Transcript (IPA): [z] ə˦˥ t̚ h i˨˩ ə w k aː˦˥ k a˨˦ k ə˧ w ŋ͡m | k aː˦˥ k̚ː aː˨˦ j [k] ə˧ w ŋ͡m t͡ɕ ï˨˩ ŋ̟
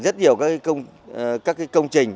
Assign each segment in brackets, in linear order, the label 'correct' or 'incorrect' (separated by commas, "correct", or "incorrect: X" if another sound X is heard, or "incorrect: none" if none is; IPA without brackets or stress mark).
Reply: correct, correct